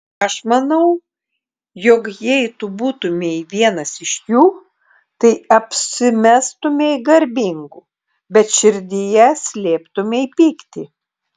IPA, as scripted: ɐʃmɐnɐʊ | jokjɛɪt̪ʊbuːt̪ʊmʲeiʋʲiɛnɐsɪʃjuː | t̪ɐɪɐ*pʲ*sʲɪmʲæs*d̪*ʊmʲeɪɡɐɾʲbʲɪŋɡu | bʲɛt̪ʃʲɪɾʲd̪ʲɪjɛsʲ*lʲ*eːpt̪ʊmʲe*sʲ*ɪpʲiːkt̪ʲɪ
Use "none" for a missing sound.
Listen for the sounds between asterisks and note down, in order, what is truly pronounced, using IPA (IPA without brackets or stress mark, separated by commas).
pʲ, t̪, lʲ, none